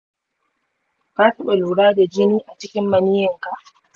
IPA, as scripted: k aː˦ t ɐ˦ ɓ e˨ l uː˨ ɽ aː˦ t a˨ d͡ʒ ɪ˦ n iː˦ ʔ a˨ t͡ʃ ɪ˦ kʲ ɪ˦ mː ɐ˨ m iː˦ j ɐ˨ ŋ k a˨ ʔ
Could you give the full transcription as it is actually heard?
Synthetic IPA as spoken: k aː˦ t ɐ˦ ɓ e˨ l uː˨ ɽ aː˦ d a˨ d͡ʒ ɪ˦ n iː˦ ʔ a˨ t͡ʃ ɪ˦ kʲ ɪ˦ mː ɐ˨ n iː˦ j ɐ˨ ŋ k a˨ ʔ